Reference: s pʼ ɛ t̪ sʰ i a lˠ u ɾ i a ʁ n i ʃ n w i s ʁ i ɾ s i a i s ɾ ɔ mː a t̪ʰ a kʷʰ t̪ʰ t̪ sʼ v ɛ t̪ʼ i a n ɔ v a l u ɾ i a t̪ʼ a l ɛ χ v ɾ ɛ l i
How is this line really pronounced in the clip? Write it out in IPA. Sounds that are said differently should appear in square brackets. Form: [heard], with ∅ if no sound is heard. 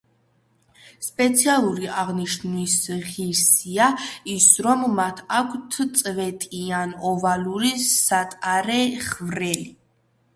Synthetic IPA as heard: s pʼ ɛ t̪ sʰ i a lˠ u ɾ i a ʁ n i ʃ n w i s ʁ i ɾ s i a i s ɾ ɔ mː a t̪ʰ a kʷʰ t̪ʰ t̪ sʼ v ɛ t̪ʼ i a n ɔ v a l u ɾ i a t̪ʼ a [ɾ] ɛ χ v ɾ ɛ l i